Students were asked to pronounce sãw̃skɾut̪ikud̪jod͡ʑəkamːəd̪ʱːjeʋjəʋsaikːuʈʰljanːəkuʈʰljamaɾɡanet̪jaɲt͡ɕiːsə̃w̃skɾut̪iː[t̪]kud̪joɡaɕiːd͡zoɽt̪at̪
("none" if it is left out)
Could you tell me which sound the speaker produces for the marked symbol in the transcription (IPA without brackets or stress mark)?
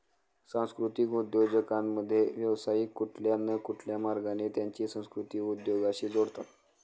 none